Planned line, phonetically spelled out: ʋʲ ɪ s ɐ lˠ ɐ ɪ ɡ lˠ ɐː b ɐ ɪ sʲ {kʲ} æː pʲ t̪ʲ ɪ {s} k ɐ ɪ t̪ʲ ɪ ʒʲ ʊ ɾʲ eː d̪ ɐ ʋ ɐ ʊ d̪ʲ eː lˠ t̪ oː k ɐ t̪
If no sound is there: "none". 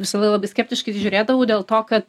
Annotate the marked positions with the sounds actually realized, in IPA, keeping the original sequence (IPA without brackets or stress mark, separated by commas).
kʲ, ʃ